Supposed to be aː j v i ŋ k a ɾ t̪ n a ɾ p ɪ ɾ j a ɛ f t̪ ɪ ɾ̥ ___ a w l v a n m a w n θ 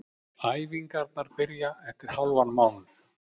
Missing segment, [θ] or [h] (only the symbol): h